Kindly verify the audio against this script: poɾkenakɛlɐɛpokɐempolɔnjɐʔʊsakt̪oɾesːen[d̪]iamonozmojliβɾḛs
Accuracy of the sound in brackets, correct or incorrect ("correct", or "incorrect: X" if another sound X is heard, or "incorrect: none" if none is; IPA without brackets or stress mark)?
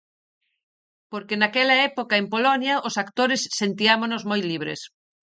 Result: incorrect: t̪